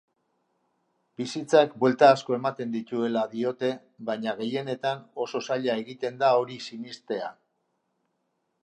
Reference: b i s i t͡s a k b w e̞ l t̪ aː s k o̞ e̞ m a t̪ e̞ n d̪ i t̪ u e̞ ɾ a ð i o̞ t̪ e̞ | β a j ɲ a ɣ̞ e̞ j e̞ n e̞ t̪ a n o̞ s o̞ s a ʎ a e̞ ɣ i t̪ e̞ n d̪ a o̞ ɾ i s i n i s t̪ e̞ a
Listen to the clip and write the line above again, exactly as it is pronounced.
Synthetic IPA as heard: b i s i t͡s a k b w e̞ l t̪ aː s k o̞ e̞ m a t̪ e̞ n d̪ i t̪ u e̞ l a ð i o̞ t̪ e̞ | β a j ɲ a ɣ̞ e̞ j e̞ n e̞ t̪ a n o̞ s o̞ s a ʎ a e̞ ɣ i t̪ e̞ n d̪ a o̞ ɾ i s i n i s t̪ e̞ a